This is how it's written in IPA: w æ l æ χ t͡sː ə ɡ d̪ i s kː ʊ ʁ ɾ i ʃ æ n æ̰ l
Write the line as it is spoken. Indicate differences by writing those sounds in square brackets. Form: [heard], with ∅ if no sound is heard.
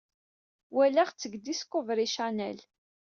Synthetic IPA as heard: w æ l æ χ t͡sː ə ɡ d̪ i s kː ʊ [v] ɾ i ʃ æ n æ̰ l